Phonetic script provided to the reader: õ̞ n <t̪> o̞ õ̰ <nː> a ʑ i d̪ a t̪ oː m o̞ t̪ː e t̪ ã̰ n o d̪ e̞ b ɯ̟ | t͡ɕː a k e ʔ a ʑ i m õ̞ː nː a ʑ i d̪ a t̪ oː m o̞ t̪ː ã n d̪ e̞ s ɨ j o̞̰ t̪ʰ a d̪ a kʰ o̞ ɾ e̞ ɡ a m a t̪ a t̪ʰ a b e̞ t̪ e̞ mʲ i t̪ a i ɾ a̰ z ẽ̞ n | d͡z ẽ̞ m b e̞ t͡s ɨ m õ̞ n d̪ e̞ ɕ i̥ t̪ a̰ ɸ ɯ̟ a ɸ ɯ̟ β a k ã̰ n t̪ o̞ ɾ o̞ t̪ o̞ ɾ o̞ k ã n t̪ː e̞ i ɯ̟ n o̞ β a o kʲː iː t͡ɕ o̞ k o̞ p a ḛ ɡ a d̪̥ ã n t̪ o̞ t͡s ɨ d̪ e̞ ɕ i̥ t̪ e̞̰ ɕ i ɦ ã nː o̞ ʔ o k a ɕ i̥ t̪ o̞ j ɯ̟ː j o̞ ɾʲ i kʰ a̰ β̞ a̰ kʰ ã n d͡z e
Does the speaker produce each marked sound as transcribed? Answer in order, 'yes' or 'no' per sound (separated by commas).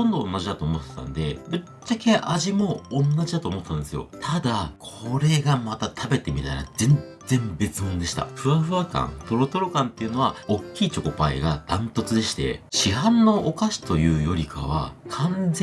no, yes